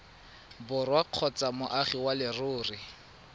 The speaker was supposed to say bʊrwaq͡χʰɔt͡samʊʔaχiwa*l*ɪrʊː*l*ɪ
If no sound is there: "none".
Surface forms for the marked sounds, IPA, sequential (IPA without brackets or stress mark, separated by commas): l, r